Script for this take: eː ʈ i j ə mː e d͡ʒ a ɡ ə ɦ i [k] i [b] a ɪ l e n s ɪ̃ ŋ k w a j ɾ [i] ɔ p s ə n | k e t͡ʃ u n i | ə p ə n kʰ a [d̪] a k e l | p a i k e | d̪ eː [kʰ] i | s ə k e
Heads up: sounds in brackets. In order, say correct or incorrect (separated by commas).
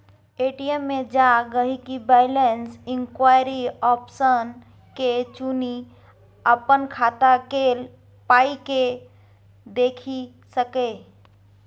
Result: correct, correct, correct, incorrect, correct